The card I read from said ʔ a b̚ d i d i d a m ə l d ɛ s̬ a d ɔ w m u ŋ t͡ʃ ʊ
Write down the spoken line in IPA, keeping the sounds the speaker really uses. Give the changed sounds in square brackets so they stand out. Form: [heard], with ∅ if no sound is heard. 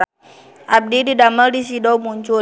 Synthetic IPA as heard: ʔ a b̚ d i d i d a m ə l d [i] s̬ [i] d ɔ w m u [ɲ] t͡ʃ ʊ